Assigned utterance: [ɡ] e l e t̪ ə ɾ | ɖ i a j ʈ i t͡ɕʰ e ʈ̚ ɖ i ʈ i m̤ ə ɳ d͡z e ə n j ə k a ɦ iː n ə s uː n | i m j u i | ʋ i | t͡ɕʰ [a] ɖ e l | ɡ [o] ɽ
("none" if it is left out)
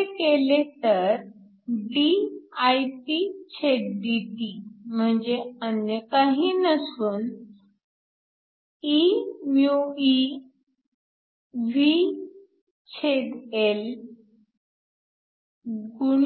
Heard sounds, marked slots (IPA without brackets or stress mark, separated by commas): k, e, u